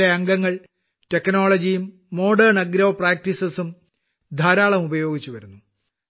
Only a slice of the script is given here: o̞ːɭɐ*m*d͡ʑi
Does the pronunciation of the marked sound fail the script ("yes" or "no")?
yes